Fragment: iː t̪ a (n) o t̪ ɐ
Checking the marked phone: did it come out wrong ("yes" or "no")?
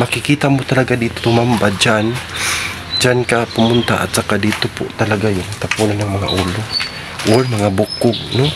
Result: yes